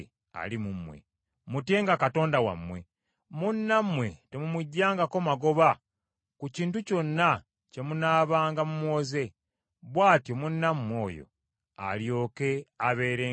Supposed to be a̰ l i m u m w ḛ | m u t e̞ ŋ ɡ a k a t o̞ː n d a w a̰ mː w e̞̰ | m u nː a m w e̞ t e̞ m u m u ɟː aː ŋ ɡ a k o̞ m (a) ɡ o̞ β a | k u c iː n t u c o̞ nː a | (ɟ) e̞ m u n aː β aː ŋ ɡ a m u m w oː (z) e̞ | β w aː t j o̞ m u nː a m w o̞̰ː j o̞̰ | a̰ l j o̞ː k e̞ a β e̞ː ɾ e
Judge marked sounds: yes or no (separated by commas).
yes, no, yes